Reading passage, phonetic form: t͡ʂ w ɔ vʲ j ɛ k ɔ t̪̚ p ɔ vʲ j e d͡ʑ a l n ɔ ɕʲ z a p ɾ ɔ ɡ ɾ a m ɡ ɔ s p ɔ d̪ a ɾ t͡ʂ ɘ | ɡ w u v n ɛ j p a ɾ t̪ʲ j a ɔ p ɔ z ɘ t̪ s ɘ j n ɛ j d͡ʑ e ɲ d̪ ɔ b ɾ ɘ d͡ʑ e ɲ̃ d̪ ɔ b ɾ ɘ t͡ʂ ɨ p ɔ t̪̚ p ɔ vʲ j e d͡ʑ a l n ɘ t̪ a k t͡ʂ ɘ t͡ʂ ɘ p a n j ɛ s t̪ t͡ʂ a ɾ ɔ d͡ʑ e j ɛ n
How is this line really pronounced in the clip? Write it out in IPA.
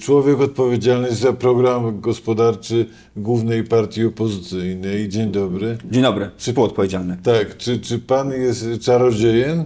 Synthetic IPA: t͡ʂ w ɔ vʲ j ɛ k ɔ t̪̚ p ɔ vʲ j e d͡ʑ a l n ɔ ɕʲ z a p ɾ ɔ ɡ ɾ a m ɡ ɔ s p ɔ d̪ a ɾ t͡ʂ ɘ | ɡ w u v n ɛ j p a ɾ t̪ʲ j i ɔ p ɔ z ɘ t̪ s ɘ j n ɛ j d͡ʑ e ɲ d̪ ɔ b ɾ ɘ d͡ʑ e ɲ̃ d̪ ɔ b ɾ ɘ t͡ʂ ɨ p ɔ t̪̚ p ɔ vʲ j e d͡ʑ a l n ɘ t̪ a k t͡ʂ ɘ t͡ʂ ɘ p a n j ɛ s t̪ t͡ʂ a ɾ ɔ d͡ʑ e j ɛ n